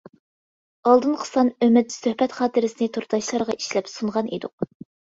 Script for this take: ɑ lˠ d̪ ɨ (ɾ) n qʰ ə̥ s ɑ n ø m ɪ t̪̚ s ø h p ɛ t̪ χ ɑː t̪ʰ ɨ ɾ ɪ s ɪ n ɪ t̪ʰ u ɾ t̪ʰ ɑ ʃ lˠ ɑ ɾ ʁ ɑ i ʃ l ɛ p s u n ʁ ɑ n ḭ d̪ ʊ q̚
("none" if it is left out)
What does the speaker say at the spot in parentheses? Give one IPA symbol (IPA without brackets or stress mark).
none